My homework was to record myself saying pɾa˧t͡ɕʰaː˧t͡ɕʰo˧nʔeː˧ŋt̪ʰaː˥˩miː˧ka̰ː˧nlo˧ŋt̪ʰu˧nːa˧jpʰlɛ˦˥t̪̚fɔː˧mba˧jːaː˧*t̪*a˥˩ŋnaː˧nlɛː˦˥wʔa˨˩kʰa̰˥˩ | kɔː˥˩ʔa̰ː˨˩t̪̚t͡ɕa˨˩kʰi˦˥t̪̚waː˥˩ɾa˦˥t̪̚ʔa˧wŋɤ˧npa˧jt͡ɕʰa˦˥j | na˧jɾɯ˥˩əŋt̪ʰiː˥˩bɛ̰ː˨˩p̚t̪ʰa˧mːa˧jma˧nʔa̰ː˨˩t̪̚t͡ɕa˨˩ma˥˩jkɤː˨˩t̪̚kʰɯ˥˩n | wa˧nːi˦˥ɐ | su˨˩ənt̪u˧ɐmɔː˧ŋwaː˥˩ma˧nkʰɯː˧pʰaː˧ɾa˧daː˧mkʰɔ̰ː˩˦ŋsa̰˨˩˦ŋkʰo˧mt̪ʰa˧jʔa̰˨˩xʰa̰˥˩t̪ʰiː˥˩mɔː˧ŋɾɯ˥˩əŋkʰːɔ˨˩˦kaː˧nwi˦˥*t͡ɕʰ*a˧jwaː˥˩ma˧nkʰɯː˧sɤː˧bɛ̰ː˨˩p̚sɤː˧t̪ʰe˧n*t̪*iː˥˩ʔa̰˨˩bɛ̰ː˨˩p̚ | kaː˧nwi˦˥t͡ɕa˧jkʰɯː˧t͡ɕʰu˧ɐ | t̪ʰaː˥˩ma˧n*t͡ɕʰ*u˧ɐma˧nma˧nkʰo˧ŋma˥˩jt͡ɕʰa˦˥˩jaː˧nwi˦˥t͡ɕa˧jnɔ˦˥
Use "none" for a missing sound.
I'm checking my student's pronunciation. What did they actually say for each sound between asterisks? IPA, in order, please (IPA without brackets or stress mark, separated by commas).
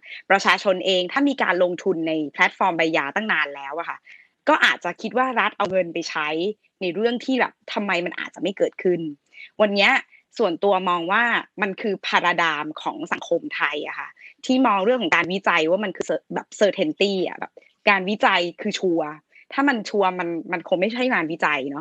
t̪, t͡ɕ, t̪, t͡ɕʰ